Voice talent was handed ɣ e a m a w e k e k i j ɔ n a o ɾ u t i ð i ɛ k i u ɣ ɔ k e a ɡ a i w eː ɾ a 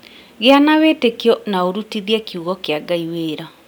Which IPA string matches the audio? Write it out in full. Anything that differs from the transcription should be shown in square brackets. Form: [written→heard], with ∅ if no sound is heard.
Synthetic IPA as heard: ɣ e a [m→n] a w e [k→t] e k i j ɔ n a o ɾ u t i ð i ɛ k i u ɣ ɔ k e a ɡ a i w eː ɾ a